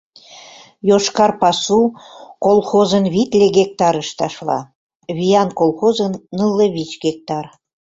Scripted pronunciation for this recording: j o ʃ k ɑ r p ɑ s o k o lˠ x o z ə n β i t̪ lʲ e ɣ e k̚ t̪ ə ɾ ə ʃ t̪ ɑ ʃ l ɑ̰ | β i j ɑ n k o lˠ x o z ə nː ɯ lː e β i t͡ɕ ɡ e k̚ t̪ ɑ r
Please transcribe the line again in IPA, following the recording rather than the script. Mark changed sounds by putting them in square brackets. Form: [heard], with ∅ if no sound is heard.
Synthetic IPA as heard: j o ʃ k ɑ r p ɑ s [u] k o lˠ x o z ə n β i t̪ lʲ e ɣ e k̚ t̪ [ɑ] ɾ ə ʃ t̪ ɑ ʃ l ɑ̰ | β i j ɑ n k o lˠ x o z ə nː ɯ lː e β i t͡ɕ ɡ e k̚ t̪ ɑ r

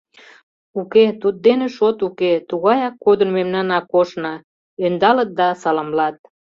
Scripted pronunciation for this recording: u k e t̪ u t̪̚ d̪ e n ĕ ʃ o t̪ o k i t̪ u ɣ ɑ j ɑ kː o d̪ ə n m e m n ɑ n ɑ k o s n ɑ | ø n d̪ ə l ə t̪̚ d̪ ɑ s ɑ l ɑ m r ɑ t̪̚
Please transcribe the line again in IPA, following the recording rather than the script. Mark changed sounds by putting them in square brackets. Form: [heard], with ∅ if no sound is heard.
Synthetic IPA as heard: u k e t̪ u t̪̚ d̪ e n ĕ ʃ o t̪ [u] k [e] t̪ u ɣ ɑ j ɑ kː o d̪ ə n m e m n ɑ n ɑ k o [ʃ] n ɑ | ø n d̪ [ɑ] l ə t̪̚ d̪ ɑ s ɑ l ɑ m [l] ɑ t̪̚

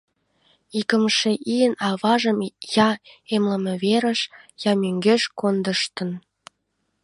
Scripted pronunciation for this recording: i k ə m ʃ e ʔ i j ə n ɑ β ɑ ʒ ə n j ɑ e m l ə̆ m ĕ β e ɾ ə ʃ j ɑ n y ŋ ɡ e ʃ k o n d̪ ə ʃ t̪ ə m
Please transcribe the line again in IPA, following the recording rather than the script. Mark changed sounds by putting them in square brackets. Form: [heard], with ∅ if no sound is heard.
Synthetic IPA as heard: i k ə m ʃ e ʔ i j ə n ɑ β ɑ ʒ ə [m] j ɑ e m l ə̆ m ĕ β e ɾ ə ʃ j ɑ [m] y ŋ ɡ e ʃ k o n d̪ ə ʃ t̪ ə [n]

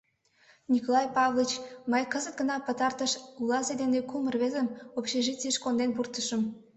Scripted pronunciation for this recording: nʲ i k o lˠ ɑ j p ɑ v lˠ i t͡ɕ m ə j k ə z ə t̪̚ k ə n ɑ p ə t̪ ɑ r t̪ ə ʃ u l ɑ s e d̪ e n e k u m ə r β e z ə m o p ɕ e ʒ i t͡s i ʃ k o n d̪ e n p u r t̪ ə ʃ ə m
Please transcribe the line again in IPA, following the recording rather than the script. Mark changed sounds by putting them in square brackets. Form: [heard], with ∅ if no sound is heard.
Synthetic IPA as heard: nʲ i k o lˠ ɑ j p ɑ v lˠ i t͡ɕ m ə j k ə z ə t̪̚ [ɡ] ə n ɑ p ə t̪ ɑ r t̪ ə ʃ u l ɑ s e d̪ e n e k u m ə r β e z ə m o p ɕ e ʒ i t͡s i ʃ k o n d̪ e n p u r t̪ ə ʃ ə m

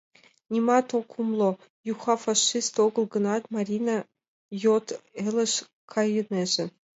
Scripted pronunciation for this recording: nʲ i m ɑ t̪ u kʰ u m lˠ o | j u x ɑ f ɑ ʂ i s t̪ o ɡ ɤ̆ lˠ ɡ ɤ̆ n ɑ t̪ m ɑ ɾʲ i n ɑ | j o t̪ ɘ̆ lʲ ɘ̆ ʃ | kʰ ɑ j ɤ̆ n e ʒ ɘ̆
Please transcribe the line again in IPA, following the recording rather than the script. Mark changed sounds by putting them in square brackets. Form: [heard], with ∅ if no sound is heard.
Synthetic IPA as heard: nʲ i m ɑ t̪ [o] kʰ u m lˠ o | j u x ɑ f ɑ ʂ i s t̪ o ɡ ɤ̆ lˠ ɡ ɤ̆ n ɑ t̪ m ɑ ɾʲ i n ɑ | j o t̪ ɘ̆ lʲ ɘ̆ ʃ | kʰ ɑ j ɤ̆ n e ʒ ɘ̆

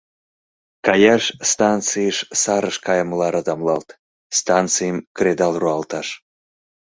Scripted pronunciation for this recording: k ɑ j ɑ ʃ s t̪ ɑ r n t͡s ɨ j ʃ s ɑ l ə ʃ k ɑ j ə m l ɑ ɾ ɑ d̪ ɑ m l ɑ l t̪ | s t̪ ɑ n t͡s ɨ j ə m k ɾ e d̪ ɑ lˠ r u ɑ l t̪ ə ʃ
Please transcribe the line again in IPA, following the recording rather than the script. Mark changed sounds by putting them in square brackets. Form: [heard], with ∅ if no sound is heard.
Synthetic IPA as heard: k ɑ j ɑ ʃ s t̪ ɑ [∅] n t͡s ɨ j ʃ s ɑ [ɾ] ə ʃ k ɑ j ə m l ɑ ɾ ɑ d̪ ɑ m l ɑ l t̪ | s t̪ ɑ n t͡s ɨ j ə m k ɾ e d̪ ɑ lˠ r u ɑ l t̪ [ɑ] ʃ

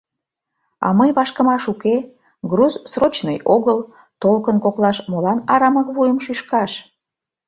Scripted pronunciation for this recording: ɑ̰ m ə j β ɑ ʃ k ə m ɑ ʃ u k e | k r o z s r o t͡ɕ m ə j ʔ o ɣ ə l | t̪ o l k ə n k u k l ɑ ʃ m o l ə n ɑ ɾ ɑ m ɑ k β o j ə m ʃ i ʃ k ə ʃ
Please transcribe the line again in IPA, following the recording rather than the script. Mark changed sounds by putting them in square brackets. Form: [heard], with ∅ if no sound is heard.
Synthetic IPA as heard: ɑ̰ m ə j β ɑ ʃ k ə m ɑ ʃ u k e | [ɡ] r [u] z s r o t͡ɕ [n] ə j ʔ o ɣ ə l | t̪ o l k ə n k [o] k l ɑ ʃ m o l [ɑ] n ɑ ɾ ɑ m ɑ k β [u] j ə m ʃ [y] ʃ k [ɑ] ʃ

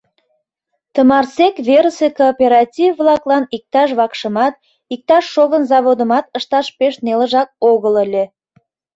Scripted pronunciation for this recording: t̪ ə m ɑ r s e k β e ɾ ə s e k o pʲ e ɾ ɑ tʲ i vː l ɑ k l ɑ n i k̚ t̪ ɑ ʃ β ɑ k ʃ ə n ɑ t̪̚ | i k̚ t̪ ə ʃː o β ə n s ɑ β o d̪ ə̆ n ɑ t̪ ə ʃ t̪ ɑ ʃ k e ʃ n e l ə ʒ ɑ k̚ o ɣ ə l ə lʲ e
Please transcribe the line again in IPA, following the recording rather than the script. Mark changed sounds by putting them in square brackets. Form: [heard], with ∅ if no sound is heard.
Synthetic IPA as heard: t̪ ə m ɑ r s e k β e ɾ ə s e k o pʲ e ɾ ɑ tʲ i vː l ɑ k l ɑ n i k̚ t̪ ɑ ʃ β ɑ k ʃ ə [m] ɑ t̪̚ | i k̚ t̪ [ɑ] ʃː o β ə n [z] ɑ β o d̪ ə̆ [m] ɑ t̪ ə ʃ t̪ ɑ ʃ [p] e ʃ n e l ə ʒ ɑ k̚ o ɣ ə l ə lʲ e

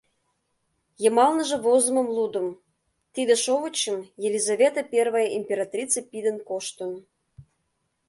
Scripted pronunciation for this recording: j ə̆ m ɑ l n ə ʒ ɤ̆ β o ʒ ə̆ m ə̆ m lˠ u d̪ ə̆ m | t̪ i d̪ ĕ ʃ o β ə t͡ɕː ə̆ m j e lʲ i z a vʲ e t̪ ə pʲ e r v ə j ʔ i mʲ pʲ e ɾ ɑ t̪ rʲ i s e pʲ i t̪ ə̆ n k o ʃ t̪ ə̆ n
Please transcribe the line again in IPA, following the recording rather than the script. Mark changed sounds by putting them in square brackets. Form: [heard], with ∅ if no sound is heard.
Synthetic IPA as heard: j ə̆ m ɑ l n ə ʒ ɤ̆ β o [z] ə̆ m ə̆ m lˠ u d̪ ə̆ m | t̪ i d̪ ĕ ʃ o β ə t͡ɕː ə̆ m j e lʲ i z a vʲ e t̪ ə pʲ e r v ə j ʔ i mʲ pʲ e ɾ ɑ t̪ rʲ i [t͡s] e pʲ i [d̪] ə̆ n k o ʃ t̪ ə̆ n

